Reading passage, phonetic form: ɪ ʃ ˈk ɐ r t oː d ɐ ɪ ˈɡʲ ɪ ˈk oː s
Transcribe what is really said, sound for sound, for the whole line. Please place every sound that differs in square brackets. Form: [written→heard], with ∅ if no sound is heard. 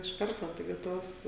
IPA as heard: ɪ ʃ ˈk ɐ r t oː [d→t] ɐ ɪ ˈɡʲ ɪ [ˈk→ˈt] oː s